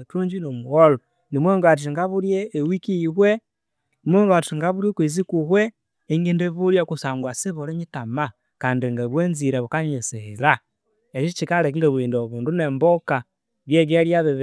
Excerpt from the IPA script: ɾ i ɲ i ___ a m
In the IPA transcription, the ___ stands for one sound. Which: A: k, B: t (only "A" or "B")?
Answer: B